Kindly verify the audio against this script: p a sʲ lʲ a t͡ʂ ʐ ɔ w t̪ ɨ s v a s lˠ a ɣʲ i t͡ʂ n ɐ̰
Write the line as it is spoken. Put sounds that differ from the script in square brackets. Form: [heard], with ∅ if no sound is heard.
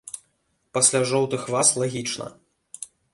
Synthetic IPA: p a sʲ lʲ a [∅] ʐ ɔ w t̪ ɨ [x] v a s lˠ a ɣʲ i t͡ʂ n ɐ̰